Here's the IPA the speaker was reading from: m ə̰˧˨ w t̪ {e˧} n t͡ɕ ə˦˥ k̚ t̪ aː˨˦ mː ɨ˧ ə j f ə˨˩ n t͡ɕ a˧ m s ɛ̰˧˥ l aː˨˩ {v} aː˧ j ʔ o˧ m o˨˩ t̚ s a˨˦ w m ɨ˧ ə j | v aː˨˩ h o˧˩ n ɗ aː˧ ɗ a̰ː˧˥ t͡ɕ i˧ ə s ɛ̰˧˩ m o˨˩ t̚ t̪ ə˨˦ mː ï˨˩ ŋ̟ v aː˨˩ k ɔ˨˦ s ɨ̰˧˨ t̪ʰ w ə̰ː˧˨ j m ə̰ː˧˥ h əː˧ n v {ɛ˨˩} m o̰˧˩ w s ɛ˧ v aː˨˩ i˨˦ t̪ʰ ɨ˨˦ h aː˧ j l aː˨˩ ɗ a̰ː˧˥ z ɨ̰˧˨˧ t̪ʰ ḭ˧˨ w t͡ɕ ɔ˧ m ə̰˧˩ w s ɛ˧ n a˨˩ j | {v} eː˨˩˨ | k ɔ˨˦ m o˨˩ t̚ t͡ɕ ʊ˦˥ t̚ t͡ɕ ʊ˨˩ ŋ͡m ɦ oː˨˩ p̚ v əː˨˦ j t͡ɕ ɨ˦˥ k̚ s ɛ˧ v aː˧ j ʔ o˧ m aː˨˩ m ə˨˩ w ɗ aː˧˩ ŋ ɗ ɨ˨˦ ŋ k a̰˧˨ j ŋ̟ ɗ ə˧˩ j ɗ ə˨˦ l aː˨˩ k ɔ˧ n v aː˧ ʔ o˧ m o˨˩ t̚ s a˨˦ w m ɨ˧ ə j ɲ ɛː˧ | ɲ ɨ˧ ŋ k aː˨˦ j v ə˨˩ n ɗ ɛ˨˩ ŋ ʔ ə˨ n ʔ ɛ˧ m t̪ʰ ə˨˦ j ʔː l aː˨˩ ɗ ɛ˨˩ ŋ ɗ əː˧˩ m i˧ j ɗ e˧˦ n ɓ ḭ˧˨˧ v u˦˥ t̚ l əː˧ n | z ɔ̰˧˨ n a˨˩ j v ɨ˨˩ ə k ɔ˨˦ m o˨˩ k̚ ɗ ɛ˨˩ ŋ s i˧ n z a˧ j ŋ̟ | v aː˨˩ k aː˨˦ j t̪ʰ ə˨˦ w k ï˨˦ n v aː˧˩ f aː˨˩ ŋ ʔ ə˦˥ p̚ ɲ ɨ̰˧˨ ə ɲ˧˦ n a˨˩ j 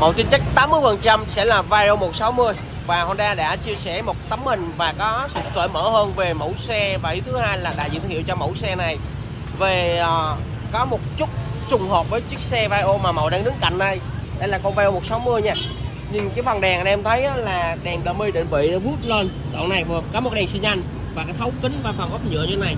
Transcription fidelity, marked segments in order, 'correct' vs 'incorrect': incorrect: i˧, correct, incorrect: e˨˩, correct

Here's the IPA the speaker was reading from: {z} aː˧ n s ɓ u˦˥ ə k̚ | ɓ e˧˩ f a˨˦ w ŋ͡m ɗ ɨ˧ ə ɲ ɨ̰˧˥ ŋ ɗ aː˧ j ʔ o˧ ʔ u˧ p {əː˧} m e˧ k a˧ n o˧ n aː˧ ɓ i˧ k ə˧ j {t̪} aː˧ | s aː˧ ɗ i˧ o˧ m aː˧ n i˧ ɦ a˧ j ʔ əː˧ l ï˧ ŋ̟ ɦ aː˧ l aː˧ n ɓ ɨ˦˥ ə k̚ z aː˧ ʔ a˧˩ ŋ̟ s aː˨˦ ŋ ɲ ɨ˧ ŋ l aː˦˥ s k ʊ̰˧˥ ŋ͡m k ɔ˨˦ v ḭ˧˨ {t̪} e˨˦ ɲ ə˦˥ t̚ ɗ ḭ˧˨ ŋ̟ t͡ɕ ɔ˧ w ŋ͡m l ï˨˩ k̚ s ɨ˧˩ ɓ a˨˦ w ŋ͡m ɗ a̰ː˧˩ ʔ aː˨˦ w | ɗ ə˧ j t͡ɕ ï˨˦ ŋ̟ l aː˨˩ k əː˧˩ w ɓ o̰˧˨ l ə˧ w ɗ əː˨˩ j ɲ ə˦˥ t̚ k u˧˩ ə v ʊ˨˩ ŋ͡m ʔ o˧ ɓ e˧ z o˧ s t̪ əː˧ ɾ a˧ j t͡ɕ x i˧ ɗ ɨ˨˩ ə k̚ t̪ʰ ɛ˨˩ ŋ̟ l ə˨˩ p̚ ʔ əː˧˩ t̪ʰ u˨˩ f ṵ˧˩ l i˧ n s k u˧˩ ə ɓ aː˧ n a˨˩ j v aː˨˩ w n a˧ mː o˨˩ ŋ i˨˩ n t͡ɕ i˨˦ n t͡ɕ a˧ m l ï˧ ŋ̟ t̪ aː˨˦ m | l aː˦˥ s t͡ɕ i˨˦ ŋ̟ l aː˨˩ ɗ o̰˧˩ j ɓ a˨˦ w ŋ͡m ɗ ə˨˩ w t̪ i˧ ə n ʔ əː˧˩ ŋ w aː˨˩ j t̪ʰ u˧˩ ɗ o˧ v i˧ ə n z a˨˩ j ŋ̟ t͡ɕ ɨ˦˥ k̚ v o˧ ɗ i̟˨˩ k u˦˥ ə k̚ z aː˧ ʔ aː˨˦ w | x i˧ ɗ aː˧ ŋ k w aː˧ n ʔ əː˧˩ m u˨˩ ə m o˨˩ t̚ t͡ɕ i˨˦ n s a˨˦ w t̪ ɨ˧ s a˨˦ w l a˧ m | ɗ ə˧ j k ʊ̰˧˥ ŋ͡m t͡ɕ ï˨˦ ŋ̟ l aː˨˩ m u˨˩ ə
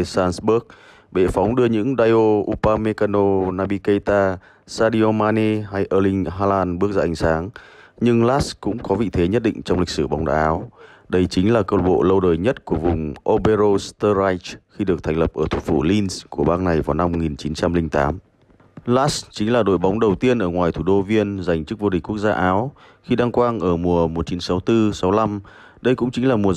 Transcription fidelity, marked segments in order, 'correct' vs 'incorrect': incorrect: s, incorrect: aː˧, correct, incorrect: t̪ʰ

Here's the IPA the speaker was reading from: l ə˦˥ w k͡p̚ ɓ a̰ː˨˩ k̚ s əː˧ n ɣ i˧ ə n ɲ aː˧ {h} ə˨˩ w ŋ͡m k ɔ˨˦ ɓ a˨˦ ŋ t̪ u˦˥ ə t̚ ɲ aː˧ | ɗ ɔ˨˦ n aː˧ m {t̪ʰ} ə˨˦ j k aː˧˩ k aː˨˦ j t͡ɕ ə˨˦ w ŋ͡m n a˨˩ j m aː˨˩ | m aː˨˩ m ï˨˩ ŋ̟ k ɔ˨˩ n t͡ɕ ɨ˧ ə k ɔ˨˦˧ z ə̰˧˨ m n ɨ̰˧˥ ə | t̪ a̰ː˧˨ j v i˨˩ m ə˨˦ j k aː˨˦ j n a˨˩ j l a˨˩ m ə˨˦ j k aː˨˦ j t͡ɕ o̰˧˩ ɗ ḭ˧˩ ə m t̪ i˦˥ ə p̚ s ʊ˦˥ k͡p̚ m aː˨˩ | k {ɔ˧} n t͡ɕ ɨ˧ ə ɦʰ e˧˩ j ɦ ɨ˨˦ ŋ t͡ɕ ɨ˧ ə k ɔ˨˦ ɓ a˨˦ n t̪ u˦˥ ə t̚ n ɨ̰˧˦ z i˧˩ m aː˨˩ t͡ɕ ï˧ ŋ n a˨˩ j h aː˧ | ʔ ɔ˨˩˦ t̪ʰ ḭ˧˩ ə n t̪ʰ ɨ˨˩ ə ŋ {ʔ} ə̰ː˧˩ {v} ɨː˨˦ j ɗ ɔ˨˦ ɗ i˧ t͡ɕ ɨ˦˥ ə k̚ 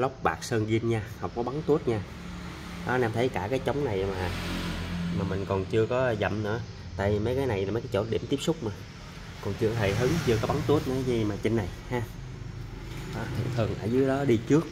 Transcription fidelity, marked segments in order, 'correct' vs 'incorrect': correct, correct, incorrect: ɔ˨˩, correct, incorrect: z

